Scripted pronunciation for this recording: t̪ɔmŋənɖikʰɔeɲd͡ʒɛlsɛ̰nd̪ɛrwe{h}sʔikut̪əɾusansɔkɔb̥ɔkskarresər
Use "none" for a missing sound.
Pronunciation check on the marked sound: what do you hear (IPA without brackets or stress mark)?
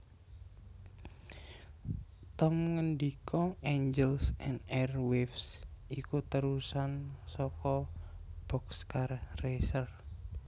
f